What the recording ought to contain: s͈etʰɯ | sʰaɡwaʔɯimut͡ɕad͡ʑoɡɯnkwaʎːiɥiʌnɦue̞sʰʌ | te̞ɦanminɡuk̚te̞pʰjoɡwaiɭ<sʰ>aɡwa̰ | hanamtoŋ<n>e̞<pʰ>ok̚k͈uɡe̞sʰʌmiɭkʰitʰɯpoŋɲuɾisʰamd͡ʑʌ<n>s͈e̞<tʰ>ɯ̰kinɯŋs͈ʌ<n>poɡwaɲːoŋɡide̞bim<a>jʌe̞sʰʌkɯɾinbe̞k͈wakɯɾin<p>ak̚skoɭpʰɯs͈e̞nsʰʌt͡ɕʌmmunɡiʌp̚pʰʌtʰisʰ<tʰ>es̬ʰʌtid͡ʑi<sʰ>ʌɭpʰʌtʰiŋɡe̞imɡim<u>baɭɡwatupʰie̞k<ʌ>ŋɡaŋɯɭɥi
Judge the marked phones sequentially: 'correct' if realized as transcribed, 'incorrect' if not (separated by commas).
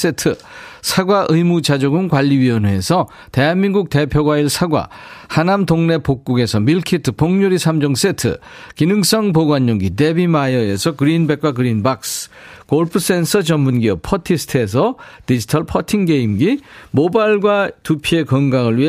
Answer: correct, correct, incorrect, incorrect, correct, incorrect, correct, incorrect, correct, incorrect, incorrect, correct